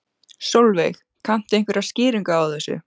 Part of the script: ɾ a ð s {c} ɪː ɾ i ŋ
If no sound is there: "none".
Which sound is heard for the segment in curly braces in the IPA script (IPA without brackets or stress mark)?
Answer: c